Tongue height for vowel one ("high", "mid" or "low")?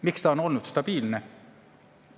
high